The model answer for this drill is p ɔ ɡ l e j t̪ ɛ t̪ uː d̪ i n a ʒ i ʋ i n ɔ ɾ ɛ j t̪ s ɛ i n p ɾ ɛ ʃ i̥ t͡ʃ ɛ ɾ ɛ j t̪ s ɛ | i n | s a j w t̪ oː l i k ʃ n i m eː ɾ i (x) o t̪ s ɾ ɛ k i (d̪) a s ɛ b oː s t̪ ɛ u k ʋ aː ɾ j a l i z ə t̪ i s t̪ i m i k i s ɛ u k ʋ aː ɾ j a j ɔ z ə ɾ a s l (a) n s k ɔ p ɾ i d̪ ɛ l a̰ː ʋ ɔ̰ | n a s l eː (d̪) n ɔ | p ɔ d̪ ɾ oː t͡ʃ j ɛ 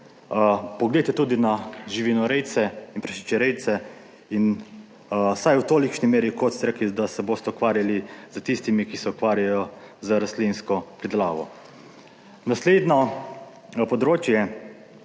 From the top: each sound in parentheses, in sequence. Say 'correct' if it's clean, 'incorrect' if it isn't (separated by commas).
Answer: incorrect, correct, incorrect, correct